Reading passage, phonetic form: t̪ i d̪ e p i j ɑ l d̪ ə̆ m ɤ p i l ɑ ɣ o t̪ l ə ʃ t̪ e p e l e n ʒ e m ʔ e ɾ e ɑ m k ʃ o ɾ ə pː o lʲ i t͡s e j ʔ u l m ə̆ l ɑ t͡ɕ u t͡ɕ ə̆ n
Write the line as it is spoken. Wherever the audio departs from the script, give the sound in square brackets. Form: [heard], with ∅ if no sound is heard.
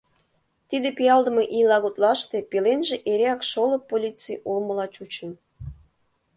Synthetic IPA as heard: t̪ i d̪ e p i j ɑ l d̪ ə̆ m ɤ [ʔ] i l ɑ ɣ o t̪ l [ɑ] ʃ t̪ e p e l e n ʒ e [∅] ʔ e ɾ e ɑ [∅] k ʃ o [l] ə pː o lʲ i t͡s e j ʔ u l m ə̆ l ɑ t͡ɕ u t͡ɕ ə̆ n